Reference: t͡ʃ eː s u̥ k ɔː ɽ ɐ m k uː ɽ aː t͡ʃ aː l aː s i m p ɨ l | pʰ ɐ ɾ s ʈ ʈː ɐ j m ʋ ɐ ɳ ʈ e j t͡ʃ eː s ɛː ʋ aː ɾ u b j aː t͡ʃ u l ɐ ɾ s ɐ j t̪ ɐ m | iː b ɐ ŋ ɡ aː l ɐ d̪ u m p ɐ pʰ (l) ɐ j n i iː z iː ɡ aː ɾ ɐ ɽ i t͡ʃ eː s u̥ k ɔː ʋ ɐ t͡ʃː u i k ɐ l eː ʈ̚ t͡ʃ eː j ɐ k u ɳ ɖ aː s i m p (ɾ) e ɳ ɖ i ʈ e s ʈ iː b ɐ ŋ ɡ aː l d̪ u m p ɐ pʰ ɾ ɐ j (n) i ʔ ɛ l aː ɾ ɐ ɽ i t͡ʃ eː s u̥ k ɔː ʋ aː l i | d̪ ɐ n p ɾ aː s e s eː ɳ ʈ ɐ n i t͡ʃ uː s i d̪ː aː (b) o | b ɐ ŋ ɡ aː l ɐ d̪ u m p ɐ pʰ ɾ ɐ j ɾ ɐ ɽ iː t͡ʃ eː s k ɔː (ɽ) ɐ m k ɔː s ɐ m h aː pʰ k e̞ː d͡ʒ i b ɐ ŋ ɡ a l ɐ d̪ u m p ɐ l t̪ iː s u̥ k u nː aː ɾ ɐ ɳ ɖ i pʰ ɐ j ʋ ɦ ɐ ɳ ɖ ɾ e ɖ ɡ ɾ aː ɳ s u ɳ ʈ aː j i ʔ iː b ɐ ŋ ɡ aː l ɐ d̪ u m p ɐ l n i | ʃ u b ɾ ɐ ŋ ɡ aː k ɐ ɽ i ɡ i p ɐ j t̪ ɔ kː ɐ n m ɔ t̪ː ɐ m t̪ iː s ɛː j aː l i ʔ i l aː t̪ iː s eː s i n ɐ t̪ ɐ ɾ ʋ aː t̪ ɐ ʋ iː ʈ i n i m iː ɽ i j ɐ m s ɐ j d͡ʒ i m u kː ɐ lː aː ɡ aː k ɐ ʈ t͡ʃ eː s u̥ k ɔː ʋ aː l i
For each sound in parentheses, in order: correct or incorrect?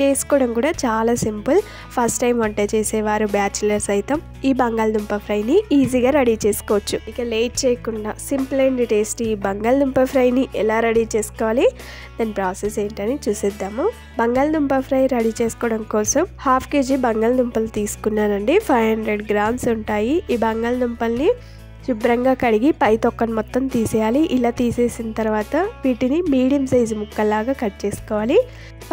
incorrect, incorrect, correct, incorrect, correct

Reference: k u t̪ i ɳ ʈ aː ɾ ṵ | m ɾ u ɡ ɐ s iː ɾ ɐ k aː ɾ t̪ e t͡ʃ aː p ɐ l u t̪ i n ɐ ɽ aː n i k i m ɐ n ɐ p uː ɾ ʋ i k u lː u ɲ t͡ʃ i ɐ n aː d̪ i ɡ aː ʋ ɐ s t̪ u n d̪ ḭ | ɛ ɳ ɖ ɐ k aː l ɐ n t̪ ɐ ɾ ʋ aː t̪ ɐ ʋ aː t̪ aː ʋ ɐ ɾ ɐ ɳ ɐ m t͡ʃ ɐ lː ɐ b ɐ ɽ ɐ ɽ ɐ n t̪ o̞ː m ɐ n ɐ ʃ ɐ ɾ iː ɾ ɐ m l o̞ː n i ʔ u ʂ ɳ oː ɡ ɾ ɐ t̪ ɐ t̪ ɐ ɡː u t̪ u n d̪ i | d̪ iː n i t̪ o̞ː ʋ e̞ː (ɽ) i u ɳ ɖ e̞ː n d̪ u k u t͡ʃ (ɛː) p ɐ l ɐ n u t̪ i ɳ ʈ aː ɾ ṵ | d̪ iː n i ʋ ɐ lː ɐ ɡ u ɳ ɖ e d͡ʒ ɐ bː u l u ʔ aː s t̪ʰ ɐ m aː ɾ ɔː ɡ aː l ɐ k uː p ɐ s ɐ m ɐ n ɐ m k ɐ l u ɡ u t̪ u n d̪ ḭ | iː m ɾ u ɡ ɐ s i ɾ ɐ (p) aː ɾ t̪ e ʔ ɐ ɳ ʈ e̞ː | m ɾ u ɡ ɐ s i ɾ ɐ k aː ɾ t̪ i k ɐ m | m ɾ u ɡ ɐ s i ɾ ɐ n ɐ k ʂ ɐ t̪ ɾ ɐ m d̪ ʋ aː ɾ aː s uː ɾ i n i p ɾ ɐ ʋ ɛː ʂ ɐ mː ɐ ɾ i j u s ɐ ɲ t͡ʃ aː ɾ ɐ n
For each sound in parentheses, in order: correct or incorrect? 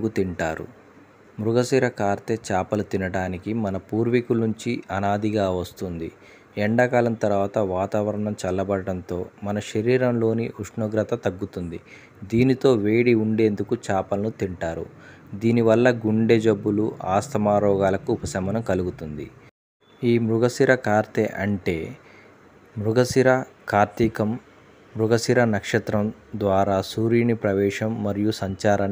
correct, incorrect, incorrect

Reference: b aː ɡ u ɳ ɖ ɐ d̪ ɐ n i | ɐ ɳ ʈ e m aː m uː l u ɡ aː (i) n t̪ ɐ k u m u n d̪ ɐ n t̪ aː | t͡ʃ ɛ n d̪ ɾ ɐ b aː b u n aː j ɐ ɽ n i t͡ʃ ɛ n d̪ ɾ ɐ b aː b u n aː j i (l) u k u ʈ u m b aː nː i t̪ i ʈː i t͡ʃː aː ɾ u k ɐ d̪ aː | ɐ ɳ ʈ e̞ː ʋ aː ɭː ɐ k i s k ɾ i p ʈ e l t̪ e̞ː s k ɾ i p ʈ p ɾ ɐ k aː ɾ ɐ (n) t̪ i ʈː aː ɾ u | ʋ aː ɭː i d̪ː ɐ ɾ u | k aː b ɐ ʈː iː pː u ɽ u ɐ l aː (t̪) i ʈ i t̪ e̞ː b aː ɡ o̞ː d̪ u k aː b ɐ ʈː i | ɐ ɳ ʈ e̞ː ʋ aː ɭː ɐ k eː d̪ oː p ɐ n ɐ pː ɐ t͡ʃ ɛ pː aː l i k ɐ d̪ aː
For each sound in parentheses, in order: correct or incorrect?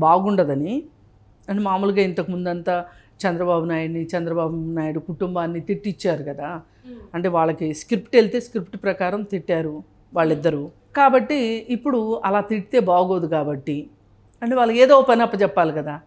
correct, incorrect, incorrect, correct

